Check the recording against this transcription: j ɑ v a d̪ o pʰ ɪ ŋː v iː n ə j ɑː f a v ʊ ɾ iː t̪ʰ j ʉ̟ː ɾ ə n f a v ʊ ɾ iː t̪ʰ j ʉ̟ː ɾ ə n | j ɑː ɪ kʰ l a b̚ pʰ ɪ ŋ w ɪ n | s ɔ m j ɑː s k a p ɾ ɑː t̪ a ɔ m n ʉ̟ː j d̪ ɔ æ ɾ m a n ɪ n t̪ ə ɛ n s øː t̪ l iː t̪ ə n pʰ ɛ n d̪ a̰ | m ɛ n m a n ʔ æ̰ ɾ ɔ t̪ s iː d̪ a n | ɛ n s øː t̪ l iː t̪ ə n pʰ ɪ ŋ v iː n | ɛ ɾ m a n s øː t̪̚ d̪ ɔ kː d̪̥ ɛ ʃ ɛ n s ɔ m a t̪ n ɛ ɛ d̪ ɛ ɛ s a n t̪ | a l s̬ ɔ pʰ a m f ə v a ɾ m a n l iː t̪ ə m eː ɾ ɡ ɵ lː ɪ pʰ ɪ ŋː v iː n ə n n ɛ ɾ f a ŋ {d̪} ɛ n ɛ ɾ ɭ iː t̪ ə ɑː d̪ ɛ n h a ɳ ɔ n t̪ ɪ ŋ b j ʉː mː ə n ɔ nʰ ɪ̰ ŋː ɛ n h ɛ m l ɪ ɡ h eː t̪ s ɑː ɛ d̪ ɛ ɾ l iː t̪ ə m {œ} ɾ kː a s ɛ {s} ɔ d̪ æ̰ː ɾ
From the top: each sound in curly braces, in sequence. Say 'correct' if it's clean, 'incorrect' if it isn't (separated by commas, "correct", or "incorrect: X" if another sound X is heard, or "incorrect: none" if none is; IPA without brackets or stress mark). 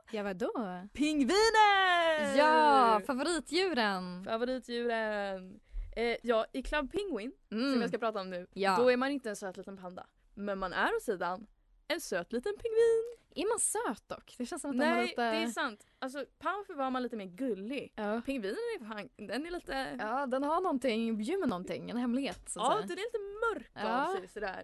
correct, correct, correct